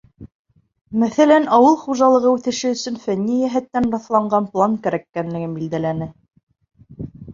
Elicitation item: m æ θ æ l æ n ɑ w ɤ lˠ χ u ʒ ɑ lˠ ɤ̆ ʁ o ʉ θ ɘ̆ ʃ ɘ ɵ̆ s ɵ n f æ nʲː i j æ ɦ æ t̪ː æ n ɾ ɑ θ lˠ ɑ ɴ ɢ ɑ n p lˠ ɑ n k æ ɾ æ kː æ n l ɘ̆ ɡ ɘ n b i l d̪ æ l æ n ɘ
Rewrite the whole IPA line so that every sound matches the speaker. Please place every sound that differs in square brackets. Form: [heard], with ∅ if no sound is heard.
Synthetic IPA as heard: m æ θ æ l æ n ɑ w ɤ lˠ χ u ʒ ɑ lˠ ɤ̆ ʁ [ɤ] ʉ θ ɘ̆ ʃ ɘ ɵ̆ s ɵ n f æ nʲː i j æ ɦ æ t̪ː æ n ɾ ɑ θ lˠ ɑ ɴ ɢ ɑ n p lˠ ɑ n k æ ɾ æ kː æ n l ɘ̆ ɡ ɘ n b i l d̪ æ l æ n ɘ